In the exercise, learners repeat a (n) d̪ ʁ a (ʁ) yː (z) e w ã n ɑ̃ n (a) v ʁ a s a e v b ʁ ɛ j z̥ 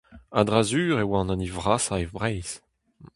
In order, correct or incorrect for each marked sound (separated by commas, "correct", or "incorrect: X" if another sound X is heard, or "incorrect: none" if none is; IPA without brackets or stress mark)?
incorrect: none, incorrect: z, incorrect: ʁ, incorrect: i